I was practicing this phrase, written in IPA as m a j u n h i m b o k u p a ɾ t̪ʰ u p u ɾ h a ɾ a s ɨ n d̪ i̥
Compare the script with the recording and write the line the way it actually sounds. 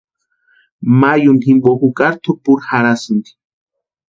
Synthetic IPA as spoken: m a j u n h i m b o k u k a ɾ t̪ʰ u p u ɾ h a ɾ a s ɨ n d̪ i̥